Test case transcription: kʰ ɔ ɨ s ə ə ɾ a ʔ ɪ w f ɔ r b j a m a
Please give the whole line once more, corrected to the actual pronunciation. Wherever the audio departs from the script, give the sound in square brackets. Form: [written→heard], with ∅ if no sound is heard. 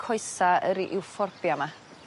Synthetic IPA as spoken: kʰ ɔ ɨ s [ə→a] ə ɾ [a→i] ʔ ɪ w f ɔ r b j a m a